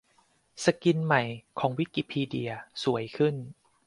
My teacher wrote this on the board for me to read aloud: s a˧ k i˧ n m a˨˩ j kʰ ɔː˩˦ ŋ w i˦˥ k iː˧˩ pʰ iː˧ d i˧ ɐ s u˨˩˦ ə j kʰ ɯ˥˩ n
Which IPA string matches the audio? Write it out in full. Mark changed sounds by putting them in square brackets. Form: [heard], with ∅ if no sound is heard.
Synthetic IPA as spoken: s a˧ k i˧ n m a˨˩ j kʰ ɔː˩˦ ŋ w i˦˥ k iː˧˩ pʰ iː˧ d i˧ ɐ s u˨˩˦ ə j kʰ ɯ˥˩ n